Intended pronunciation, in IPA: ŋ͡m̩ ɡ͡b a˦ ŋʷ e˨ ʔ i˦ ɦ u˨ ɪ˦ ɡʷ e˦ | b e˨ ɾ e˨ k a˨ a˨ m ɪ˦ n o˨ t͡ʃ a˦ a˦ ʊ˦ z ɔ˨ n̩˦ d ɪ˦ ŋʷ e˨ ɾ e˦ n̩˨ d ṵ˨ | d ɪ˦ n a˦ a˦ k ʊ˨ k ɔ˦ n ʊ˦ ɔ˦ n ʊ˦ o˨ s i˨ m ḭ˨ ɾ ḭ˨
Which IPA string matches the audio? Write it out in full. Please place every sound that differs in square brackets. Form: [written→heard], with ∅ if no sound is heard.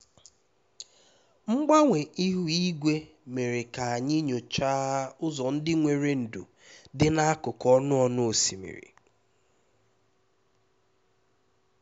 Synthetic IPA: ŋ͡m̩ ɡ͡b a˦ ŋʷ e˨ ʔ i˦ ɦ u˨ [ɪ˦→i˦] ɡʷ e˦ | [b→m] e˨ ɾ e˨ k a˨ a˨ [m→ɲ] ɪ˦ [n→ɲ] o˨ t͡ʃ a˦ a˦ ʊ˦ z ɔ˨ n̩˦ d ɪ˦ ŋʷ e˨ ɾ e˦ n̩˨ d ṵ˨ | d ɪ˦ n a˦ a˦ k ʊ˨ k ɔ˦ n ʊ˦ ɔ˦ n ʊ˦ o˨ s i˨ m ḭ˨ ɾ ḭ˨